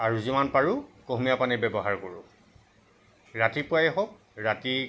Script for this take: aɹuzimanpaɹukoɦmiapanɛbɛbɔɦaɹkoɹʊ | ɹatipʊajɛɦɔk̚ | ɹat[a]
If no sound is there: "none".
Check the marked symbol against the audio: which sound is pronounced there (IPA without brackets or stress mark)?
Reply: i